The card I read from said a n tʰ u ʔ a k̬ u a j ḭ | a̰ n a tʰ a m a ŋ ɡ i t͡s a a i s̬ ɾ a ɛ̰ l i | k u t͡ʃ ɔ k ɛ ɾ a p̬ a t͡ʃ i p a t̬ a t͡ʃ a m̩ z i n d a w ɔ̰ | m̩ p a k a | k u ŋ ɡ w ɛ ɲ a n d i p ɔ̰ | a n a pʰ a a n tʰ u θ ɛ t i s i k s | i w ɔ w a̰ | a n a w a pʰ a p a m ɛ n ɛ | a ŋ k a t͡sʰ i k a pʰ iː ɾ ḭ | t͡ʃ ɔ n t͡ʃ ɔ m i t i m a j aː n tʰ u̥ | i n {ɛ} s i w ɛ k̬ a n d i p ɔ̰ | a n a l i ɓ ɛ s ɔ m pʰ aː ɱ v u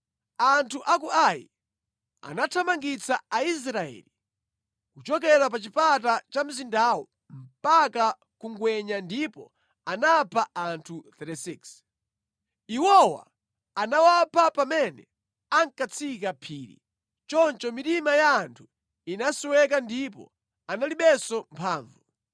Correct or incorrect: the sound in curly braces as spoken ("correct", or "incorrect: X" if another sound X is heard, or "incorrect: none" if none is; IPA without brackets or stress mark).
incorrect: a